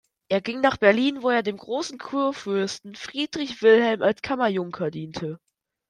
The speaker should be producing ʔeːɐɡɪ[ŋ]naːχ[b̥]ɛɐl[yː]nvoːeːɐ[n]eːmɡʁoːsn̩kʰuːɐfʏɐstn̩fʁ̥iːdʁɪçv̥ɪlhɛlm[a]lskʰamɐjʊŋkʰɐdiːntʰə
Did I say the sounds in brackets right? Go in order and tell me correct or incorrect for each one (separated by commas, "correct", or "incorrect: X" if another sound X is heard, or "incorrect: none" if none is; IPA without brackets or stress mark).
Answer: correct, correct, incorrect: iː, incorrect: d, correct